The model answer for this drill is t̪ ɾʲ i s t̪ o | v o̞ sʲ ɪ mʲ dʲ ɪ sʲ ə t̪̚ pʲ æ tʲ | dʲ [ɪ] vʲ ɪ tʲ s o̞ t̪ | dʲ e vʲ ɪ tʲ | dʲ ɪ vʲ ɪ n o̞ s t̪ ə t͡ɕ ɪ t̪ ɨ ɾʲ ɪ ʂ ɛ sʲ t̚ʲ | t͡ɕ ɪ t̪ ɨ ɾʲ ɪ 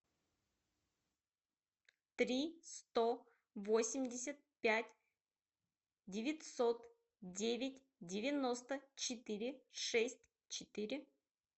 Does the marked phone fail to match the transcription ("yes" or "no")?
no